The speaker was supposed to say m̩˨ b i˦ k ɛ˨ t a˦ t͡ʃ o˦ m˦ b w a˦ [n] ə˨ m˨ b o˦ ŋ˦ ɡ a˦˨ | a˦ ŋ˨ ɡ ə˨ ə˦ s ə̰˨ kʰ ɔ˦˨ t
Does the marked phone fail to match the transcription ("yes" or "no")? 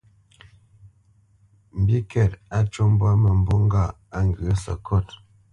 yes